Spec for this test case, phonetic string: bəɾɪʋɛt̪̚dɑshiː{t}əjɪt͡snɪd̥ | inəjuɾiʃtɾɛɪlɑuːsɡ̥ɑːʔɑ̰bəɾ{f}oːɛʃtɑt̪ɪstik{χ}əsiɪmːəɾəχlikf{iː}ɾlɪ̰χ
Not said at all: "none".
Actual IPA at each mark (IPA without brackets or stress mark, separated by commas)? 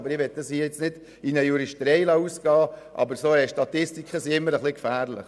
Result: none, s, χ, æː